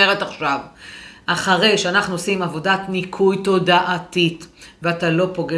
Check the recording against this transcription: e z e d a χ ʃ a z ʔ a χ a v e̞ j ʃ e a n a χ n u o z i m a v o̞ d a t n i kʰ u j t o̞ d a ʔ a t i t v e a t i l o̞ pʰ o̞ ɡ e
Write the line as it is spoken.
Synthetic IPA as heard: e ʁ e t a χ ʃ a v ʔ a χ a ʁ e̞ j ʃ e a n a χ n u o s i m a v o̞ d a t n i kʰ u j t o̞ d a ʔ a t i t v e a t a l o̞ p o̞ ɡ e